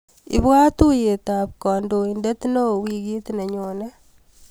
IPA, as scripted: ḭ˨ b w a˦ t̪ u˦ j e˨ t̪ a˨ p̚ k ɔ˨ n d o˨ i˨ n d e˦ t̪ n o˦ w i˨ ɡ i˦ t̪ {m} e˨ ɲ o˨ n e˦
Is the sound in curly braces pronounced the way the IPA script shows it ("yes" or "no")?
no